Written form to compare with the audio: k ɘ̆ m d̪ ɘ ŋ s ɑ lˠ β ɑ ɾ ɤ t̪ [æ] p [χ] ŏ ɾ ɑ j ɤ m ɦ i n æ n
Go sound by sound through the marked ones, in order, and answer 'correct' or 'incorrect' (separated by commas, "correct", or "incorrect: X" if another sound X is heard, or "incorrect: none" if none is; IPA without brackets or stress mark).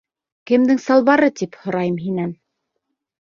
incorrect: i, incorrect: h